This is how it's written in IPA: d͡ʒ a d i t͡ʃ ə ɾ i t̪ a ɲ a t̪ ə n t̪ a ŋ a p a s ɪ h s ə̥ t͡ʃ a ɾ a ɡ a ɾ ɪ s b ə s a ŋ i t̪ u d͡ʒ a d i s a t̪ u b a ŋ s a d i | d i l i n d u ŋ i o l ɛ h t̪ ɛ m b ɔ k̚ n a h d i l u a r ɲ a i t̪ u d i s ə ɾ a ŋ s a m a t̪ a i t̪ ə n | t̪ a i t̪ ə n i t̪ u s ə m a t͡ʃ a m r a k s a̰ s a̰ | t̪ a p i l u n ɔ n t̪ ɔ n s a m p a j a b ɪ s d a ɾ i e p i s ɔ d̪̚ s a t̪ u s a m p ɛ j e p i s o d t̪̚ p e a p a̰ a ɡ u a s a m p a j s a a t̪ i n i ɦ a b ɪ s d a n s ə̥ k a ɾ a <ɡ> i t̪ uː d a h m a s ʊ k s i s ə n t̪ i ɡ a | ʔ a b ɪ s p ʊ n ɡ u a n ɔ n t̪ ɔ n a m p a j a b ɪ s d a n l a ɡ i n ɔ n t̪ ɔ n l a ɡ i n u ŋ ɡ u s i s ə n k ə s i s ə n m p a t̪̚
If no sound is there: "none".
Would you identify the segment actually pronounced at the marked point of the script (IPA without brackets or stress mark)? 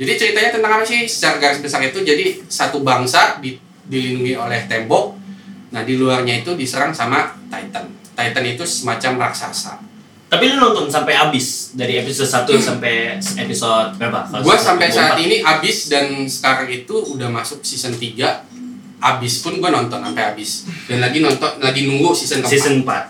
ŋ